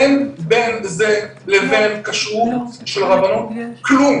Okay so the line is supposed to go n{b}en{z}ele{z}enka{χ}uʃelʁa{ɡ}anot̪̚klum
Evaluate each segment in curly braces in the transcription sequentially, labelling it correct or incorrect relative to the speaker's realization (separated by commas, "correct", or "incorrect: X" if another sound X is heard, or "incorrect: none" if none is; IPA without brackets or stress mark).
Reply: correct, correct, incorrect: v, incorrect: ʃ, incorrect: b